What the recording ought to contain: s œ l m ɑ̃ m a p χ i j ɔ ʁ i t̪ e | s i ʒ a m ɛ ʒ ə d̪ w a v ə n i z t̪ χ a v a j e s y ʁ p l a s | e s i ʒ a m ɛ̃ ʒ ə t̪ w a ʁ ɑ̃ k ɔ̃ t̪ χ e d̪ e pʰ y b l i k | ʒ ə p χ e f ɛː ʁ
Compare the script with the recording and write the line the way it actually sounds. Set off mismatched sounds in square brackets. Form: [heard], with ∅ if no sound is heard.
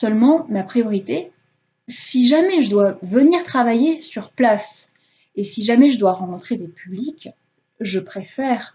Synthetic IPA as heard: s œ l m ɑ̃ m a p χ i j ɔ ʁ i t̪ e | s i ʒ a m ɛ ʒ ə d̪ w a v ə n i [ʁ] t̪ χ a v a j e s y ʁ p l a s | e s i ʒ a m [ɛ] ʒ ə [d̪] w a ʁ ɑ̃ k ɔ̃ t̪ χ e d̪ e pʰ y b l i k | ʒ ə p χ e f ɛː ʁ